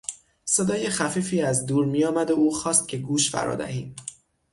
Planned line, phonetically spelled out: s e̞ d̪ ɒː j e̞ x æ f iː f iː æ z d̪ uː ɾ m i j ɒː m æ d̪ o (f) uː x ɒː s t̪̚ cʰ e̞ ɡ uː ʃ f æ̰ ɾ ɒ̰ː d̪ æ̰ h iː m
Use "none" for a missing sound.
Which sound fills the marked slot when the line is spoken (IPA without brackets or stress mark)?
none